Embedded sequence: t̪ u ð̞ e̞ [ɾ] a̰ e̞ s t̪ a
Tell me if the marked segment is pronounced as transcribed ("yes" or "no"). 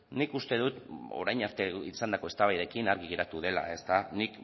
no